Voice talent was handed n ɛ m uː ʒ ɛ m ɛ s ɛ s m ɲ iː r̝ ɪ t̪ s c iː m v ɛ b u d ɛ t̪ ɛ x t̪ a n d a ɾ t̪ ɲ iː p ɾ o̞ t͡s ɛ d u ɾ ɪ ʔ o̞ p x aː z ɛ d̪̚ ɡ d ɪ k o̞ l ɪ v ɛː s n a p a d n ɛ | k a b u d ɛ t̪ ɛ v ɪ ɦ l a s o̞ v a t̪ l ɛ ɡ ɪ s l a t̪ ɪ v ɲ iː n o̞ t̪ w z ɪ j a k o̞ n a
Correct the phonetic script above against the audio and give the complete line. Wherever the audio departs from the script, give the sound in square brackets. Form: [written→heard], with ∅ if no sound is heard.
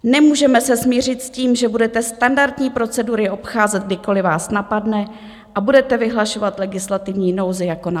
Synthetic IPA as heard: n ɛ m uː ʒ ɛ m ɛ s ɛ s m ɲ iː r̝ ɪ t̪ s c iː m [v→ʒ] ɛ b u d ɛ t̪ ɛ [x→s] t̪ a n d a ɾ t̪ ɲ iː p ɾ o̞ t͡s ɛ d u ɾ ɪ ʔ o̞ p x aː z ɛ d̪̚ ɡ d ɪ k o̞ l ɪ v [ɛː→aː] s n a p a d n ɛ | [k→ʔ] a b u d ɛ t̪ ɛ v ɪ ɦ l a [s→ʃ] o̞ v a t̪ l ɛ ɡ ɪ s l a t̪ ɪ v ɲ iː n o̞ [t̪→∅] w z ɪ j a k o̞ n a